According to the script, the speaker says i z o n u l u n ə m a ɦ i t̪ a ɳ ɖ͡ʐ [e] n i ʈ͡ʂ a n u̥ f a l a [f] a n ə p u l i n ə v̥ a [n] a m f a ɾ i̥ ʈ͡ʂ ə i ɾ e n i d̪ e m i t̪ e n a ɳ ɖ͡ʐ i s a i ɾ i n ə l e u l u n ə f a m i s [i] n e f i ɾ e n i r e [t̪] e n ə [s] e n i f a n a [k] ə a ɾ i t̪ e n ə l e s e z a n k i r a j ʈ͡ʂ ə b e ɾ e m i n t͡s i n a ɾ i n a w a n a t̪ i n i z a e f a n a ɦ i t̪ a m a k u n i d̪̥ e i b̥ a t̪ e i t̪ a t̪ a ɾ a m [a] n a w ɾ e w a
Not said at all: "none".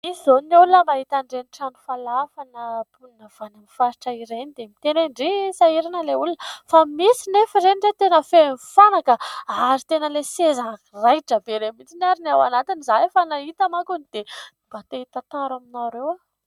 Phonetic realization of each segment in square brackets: e, f, n, i, t̪, f, k, i

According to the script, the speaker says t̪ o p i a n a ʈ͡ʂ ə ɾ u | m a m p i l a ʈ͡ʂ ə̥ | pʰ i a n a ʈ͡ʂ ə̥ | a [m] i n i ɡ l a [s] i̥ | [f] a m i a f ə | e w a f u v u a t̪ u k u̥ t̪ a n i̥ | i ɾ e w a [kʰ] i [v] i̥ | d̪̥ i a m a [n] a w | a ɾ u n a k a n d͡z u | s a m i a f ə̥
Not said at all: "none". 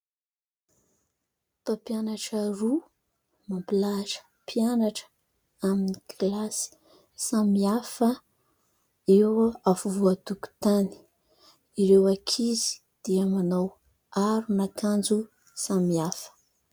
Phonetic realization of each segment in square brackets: m, s, s, kʰ, z, n

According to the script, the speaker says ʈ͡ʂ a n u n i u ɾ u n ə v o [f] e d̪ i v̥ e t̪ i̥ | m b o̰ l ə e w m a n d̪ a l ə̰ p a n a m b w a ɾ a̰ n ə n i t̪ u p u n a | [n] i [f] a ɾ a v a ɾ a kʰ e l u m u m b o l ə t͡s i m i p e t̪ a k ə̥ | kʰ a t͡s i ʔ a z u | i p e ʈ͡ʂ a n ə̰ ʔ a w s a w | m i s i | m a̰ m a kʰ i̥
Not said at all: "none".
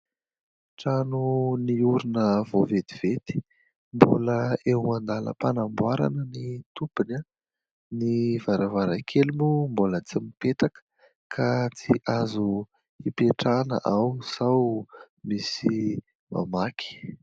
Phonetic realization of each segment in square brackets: v, n, v

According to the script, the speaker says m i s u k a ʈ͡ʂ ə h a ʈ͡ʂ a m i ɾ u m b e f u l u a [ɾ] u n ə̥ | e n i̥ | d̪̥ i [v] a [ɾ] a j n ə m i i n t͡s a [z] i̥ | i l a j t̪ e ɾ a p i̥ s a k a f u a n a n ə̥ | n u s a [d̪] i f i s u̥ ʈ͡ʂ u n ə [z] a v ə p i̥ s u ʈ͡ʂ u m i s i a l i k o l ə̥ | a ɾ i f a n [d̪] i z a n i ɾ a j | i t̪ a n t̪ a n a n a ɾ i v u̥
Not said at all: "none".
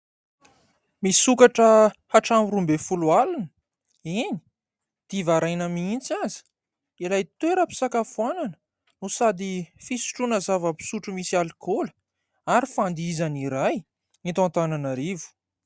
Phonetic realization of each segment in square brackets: l, v, ɾ, z, d̪, z, d̪

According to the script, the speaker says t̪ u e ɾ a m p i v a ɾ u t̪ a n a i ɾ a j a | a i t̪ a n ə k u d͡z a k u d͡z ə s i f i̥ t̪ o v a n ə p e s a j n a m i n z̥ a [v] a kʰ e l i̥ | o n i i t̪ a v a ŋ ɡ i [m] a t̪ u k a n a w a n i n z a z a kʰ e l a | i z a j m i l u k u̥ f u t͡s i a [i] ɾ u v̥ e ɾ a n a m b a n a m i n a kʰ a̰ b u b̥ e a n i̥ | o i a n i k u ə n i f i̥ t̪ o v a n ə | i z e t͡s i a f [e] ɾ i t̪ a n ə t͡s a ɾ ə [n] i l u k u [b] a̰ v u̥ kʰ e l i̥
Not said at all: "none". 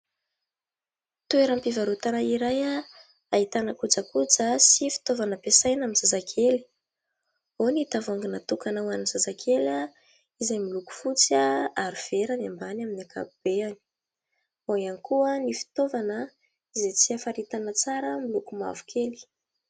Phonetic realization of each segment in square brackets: z, n, a, a, m, m

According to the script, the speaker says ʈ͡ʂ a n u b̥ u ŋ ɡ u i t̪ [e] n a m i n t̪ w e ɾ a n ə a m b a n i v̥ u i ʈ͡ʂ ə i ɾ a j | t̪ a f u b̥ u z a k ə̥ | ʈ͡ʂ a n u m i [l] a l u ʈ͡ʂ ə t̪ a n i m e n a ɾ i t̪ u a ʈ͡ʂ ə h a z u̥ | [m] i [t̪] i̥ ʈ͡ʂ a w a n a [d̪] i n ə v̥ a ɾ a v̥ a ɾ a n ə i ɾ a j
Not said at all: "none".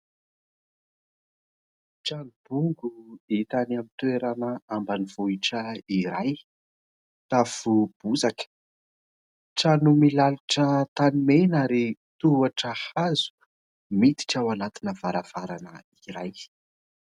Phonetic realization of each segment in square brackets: a, l, m, t̪, t̪

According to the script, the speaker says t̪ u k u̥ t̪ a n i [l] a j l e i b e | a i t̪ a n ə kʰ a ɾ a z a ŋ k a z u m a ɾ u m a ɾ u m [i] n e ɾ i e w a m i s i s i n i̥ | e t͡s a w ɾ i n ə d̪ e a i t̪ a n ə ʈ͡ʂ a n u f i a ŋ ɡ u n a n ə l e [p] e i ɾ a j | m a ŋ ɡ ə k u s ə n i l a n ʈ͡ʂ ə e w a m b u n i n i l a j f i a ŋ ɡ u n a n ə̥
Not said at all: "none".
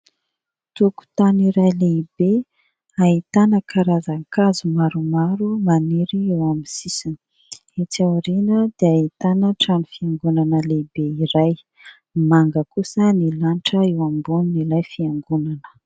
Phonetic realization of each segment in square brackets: ɾ, a, b

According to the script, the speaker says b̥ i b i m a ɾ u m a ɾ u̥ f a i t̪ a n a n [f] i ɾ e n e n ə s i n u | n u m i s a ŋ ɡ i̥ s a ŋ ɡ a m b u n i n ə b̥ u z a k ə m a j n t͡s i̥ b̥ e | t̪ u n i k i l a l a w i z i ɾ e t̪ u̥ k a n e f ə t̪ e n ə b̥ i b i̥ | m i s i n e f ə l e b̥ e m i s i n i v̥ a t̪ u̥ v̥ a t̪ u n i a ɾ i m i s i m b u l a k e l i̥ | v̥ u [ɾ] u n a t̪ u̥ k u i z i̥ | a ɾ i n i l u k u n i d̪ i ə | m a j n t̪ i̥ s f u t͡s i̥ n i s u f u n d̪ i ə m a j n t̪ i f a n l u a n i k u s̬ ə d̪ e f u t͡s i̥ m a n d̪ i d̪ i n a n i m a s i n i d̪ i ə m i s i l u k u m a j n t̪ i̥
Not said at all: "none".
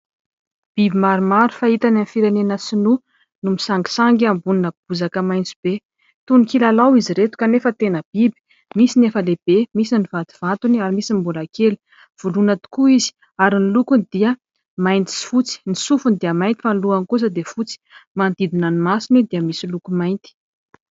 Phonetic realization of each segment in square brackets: f, l

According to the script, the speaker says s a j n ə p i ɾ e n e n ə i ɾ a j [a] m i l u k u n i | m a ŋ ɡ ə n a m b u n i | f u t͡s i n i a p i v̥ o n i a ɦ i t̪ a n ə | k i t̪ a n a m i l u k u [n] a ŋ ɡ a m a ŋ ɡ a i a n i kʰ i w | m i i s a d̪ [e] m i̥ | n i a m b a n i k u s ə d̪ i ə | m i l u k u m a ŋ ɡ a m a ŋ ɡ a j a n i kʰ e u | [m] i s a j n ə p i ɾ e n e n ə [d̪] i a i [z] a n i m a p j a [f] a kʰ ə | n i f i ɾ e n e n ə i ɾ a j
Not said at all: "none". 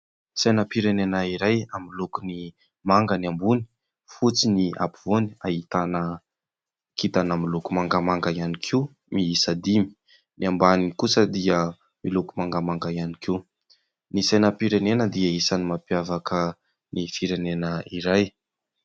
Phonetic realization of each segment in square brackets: a, m, i, n, d̪, s, v

